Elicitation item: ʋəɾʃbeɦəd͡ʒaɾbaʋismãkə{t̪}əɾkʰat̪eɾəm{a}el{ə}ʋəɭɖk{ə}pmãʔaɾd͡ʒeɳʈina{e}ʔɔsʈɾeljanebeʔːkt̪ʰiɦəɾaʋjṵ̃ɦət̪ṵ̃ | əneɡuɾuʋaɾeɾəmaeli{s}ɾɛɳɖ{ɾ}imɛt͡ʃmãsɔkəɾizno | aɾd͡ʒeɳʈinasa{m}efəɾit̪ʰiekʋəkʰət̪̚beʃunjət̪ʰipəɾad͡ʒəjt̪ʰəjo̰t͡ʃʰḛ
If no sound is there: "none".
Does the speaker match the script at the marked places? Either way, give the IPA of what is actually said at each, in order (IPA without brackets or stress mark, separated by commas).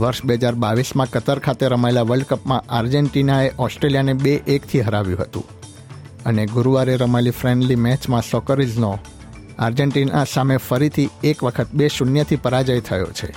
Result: t̪, a, a, ə, e, f, l, m